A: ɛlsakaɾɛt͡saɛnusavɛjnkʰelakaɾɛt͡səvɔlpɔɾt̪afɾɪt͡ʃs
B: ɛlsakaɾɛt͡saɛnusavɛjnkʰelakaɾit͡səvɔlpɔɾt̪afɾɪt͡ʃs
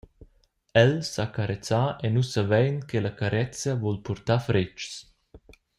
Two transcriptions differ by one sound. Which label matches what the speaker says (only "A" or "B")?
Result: A